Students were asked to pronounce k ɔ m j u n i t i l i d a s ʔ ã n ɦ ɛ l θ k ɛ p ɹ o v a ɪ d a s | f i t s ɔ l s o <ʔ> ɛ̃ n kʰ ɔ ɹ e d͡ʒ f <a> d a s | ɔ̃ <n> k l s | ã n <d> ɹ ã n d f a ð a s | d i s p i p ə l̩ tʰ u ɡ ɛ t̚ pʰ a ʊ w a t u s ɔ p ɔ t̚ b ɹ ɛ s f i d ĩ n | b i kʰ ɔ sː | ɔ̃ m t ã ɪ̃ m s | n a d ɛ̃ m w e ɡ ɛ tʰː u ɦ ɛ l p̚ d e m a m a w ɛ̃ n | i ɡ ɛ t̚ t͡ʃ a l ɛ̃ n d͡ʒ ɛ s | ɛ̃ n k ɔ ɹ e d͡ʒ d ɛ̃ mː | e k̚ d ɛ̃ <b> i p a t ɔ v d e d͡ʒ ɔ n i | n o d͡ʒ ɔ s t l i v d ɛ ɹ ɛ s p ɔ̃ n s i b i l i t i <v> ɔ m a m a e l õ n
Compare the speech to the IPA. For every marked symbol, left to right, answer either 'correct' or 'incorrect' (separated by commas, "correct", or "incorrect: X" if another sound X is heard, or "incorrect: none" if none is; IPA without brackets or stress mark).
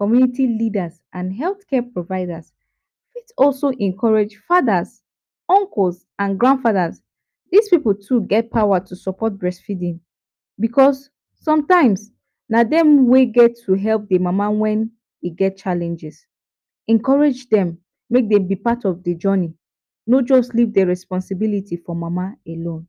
correct, correct, incorrect: ŋ, incorrect: ɡ, correct, incorrect: f